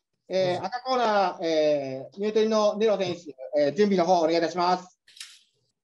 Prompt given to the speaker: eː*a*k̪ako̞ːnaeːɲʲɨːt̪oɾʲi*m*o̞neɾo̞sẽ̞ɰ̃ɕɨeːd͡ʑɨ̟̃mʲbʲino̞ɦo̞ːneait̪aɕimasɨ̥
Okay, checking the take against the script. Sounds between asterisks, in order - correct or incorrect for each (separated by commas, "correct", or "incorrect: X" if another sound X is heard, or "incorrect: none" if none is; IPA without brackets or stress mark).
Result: correct, incorrect: n